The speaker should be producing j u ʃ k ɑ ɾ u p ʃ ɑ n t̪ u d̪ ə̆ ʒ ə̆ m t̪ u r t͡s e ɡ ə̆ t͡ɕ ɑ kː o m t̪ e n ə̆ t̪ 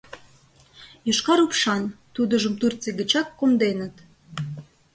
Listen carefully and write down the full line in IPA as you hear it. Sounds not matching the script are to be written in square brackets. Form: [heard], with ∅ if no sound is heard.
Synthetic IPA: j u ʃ k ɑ ɾ u p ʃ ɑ n t̪ u d̪ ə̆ ʒ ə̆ m t̪ u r t͡s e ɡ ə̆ t͡ɕ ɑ kː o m [d̪] e n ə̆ t̪